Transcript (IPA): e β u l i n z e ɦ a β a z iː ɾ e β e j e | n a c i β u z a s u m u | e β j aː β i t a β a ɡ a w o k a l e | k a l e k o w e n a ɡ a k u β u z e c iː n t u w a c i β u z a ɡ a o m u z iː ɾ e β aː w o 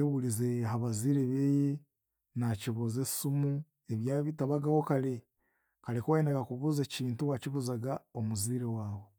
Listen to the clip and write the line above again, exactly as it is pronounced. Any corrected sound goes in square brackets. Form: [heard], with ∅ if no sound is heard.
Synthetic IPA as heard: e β u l i [∅] z e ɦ a β a z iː ɾ e β e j e | n a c i β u z [e] s u m u | e β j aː β i t a β a ɡ a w o k a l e | k a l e k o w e n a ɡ a k u β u z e c iː n t u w a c i β u z a ɡ a o m u z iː ɾ e [w] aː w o